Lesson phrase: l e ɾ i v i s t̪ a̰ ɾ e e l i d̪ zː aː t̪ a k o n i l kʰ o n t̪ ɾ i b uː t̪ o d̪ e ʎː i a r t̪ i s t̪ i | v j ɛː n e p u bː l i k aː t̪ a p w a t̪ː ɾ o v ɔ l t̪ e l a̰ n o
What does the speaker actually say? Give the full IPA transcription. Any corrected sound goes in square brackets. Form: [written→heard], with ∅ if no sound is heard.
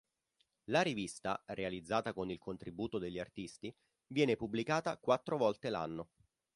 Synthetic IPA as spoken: l [e→a] ɾ i v i s t̪ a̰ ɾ e [e→a] l i d̪ zː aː t̪ a k o n i l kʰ o n t̪ ɾ i b uː t̪ o d̪ e ʎː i a r t̪ i s t̪ i | v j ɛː n e p u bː l i k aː t̪ a [p→k] w a t̪ː ɾ o v ɔ l t̪ e l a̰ [n→nː] o